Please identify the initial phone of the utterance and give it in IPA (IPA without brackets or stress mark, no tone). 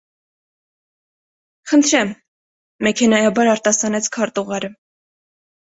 χ